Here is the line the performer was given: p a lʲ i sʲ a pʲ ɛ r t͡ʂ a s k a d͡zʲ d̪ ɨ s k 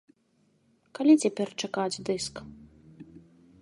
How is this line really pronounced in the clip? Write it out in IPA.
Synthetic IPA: k a lʲ i t͡sʲ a pʲ ɛ r t͡ʂ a k a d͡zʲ d̪ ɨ s k